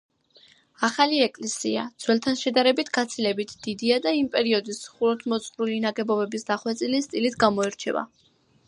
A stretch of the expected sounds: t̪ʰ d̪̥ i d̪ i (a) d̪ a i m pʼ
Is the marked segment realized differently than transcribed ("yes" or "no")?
no